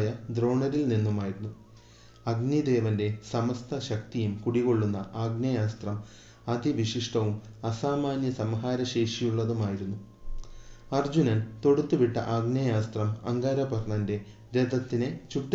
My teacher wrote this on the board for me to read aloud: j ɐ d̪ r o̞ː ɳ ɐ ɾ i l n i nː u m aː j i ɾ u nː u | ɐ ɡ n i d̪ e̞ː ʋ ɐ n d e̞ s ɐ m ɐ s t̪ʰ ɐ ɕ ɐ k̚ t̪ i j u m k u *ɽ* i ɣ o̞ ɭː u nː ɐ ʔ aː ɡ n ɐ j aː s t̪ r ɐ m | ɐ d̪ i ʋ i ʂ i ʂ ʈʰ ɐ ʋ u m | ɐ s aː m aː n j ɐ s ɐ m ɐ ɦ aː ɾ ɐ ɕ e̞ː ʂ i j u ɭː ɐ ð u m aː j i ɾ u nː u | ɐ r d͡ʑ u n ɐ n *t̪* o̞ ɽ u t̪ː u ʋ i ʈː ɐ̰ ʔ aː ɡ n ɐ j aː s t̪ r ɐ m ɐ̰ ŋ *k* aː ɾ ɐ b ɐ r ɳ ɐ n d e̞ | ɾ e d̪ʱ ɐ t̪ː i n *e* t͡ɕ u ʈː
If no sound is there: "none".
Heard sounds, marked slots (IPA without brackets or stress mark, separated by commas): ɽ, t̪, ɡ, e